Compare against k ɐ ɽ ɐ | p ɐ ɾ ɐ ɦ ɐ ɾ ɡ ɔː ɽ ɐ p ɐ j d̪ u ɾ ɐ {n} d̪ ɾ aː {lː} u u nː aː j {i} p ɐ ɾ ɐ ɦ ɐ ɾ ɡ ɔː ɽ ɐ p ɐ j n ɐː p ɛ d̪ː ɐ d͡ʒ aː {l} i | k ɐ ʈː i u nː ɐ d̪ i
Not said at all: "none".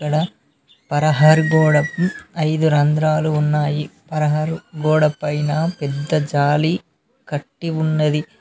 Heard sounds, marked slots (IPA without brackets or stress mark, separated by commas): n, l, i, l